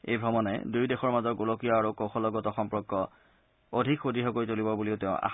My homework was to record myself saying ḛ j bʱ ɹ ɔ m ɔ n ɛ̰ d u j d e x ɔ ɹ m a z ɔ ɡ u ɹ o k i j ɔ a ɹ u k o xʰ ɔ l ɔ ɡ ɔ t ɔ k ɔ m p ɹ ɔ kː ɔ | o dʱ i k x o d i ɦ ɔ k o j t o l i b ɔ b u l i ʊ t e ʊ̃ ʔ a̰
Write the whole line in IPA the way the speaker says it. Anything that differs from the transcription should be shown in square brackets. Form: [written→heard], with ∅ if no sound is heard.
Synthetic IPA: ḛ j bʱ ɹ ɔ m ɔ n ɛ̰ d u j d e x ɔ ɹ m a z ɔ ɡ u [ɹ→l] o k i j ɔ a ɹ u k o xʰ ɔ l ɔ ɡ ɔ t ɔ [k→x] ɔ m p ɹ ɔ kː ɔ | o dʱ i k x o d i ɦ ɔ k o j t o l i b ɔ b u l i ʊ t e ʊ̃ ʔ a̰